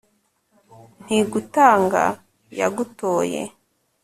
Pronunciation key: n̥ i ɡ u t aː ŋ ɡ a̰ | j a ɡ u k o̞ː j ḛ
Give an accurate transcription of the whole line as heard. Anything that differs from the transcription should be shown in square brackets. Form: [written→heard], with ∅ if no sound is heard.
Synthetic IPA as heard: n̥ i ɡ u t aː ŋ ɡ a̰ | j a ɡ u [k→t] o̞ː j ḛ